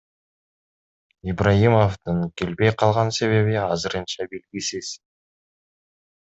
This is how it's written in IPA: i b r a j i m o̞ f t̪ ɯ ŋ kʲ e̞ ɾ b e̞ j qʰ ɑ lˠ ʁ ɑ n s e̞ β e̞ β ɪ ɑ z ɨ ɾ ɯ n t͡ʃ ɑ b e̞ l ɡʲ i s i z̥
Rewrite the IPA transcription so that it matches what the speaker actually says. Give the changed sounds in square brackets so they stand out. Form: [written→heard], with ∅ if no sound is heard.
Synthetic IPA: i b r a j i m o̞ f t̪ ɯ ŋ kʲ e̞ [ɾ→l] b e̞ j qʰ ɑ lˠ ʁ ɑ n s e̞ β e̞ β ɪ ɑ z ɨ ɾ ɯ n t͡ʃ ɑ b e̞ l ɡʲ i s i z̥